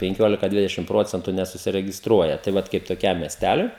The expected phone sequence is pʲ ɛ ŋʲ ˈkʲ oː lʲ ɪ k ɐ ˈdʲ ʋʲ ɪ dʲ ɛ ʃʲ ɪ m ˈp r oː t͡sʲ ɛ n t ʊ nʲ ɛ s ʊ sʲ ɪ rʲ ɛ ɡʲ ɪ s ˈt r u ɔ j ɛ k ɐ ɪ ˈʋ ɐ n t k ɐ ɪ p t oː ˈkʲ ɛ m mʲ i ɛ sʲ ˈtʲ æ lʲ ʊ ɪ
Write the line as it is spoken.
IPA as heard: pʲ ɛ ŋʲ ˈkʲ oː lʲ ɪ k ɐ ˈdʲ ʋʲ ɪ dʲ ɛ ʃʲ ɪ m ˈp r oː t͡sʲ ɛ n t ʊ nʲ ɛ s ʊ sʲ ɪ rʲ ɛ ɡʲ ɪ s ˈt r u ɔ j ɛ t ɐ ɪ ˈʋ ɐ t k ɐ ɪ p t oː ˈkʲ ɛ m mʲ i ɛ sʲ ˈtʲ æ lʲ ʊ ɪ